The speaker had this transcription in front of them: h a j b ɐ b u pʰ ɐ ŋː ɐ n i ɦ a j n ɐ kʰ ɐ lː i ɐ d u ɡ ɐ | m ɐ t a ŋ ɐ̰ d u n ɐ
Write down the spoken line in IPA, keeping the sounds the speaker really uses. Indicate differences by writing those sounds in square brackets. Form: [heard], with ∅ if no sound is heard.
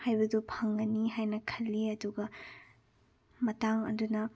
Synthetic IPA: h a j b ɐ [d] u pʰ ɐ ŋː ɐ n i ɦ a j n ɐ kʰ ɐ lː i ɐ d u ɡ ɐ | m ɐ t a ŋ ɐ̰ d u n ɐ